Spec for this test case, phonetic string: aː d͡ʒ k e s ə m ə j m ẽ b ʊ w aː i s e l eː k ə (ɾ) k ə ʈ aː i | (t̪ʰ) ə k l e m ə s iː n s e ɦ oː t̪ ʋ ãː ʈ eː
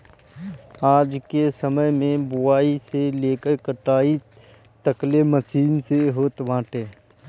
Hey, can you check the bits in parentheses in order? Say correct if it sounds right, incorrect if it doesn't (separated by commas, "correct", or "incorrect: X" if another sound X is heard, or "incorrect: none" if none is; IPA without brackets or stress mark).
correct, incorrect: t̪